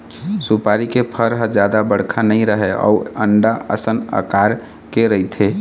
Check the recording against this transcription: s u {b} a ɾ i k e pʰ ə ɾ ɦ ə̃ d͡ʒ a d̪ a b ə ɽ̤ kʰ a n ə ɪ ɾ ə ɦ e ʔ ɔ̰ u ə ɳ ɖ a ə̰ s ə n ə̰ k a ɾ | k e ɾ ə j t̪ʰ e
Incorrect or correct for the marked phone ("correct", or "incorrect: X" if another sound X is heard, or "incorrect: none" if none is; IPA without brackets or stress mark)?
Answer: incorrect: p